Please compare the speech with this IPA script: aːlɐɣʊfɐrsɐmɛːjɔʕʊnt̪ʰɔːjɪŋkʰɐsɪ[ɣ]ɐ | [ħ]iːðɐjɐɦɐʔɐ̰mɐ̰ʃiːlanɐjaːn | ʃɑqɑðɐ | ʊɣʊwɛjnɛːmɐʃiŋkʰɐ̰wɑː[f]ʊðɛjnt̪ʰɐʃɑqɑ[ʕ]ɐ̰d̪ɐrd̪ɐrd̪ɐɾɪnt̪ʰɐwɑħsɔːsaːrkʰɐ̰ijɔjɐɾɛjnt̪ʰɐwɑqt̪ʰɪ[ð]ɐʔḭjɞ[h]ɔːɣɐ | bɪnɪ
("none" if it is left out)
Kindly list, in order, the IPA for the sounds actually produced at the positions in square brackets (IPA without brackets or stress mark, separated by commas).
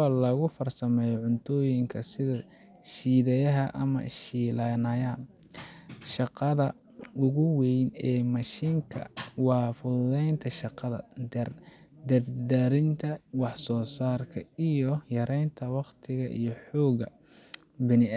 ð, ʃ, f, ð, ɣ, ħ